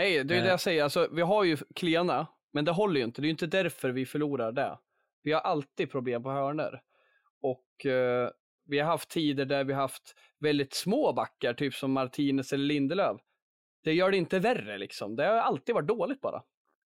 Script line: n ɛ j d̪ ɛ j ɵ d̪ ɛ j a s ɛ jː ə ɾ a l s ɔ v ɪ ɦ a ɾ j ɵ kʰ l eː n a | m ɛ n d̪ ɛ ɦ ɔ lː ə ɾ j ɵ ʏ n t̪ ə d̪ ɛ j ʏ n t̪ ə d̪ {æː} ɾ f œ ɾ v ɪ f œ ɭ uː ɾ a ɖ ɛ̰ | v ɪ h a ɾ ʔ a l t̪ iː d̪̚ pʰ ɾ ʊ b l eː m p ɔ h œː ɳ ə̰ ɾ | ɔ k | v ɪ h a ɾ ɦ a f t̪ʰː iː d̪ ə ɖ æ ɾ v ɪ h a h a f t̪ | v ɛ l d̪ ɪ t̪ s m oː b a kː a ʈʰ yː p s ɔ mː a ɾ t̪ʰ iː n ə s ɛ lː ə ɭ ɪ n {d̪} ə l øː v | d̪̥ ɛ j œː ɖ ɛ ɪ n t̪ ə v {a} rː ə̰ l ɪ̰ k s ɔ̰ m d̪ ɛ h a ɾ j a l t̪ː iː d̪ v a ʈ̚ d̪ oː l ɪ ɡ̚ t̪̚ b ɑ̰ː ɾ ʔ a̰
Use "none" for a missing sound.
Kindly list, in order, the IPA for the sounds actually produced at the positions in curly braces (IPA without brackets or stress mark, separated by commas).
æ, d̪, æ